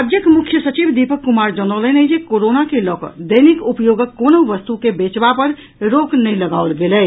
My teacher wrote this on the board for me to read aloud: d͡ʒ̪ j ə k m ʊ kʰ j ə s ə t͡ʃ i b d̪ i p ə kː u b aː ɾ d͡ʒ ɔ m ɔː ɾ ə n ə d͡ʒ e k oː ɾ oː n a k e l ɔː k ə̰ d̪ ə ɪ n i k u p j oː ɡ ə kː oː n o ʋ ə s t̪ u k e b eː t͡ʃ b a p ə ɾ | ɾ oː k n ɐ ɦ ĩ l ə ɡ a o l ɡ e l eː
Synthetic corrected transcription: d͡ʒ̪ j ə k m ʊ kʰ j ə s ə t͡ʃ i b d̪ i p ə kː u m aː ɾ d͡ʒ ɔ n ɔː l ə n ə d͡ʒ e k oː ɾ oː n a k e l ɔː k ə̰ d̪ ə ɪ n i k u p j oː ɡ ə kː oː n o ʋ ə s t̪ u k e b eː t͡ʃ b a p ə ɾ | ɾ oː k n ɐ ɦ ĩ l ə ɡ a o l ɡ e l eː